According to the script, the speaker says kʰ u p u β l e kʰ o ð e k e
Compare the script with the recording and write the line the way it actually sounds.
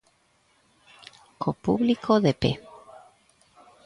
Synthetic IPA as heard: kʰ o p u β l i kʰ o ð e p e